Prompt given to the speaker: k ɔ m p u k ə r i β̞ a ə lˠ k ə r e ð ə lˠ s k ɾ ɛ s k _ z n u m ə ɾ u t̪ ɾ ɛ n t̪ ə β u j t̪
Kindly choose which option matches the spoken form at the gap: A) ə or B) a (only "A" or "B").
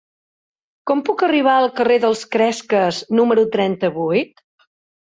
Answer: A